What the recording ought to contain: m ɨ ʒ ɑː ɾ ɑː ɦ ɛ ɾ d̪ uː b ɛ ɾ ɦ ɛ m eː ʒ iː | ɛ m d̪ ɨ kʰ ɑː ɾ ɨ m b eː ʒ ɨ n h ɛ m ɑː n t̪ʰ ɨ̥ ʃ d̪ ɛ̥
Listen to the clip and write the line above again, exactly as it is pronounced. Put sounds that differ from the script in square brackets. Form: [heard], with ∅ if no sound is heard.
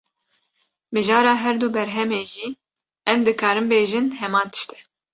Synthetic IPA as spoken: m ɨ ʒ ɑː ɾ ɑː ɦ ɛ ɾ d̪ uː b ɛ ɾ ɦ ɛ m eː ʒ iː | ɛ m d̪ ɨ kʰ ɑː ɾ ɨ m b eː ʒ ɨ n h ɛ m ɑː n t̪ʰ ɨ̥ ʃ [t̪] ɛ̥